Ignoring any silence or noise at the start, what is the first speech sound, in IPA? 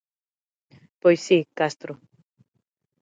p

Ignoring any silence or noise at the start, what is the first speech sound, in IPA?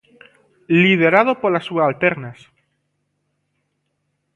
l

